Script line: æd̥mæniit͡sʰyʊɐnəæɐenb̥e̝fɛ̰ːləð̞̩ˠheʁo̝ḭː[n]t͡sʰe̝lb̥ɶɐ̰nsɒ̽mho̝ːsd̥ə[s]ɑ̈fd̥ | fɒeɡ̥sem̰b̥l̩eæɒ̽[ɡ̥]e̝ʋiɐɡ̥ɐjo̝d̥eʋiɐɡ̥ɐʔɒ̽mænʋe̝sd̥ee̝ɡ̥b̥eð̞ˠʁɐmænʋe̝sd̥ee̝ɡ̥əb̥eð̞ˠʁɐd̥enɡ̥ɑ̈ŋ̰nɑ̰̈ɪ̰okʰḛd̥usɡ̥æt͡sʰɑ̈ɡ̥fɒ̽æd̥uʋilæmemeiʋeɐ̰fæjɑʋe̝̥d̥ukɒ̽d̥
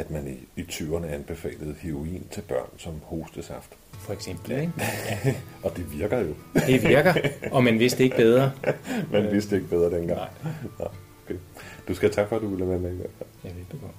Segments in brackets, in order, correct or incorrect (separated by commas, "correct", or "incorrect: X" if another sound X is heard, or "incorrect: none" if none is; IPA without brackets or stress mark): correct, correct, incorrect: d̥